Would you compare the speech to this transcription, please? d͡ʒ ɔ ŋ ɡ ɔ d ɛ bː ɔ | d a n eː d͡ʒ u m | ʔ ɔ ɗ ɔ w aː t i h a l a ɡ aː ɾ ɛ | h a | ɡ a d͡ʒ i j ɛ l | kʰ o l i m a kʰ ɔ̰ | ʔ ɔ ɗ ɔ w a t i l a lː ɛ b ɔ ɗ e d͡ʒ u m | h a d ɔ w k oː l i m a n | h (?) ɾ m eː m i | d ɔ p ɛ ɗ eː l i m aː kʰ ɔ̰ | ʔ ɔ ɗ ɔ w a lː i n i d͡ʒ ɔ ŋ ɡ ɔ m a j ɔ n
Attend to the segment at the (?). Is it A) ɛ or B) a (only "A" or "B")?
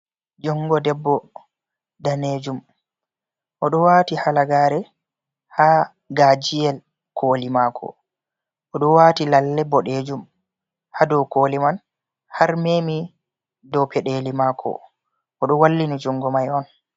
B